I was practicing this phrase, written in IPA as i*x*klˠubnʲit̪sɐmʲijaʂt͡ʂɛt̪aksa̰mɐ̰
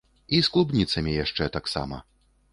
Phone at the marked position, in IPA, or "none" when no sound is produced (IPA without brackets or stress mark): s